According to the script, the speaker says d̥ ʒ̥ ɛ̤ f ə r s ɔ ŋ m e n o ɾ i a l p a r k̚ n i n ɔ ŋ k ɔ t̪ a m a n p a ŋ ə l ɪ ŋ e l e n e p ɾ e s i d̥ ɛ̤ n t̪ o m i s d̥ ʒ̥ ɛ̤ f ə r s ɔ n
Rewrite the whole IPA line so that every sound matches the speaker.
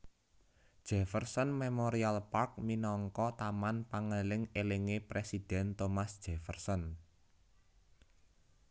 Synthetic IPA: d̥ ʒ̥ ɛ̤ f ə r s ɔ n m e m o ɾ i a l p a r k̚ m i n ɔ ŋ k ɔ t̪ a m a n p a ŋ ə l ɪ ŋ e l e ŋ e p ɾ e s i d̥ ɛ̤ n t̪ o m a s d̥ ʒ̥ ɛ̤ f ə r s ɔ n